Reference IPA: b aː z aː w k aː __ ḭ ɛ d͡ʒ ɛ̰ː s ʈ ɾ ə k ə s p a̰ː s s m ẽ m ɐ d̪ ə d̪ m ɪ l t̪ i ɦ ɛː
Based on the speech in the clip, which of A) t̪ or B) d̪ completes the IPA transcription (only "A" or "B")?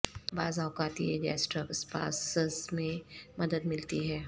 A